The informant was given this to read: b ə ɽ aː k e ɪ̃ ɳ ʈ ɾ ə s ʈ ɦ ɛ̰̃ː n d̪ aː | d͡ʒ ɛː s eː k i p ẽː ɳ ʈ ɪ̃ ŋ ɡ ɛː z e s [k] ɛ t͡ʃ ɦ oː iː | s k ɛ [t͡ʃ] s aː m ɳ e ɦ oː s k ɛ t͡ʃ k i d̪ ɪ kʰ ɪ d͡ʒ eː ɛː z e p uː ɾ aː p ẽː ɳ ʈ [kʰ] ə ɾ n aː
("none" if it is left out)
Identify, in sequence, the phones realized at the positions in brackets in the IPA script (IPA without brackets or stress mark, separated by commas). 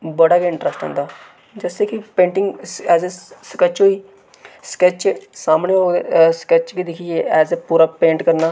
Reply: k, t͡ʃ, k